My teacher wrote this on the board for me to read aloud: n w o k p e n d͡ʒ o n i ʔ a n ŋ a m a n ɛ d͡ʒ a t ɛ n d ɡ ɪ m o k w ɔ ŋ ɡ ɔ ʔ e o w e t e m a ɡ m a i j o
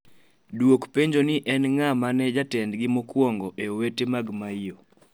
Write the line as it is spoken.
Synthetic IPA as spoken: d w o k p e ɲ d͡ʒ o n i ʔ ɛ n ŋ a m a n ɛ d͡ʒ a t ɛ n d ɡ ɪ m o k w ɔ ŋ ɡ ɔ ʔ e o w e t e m a ɡ m a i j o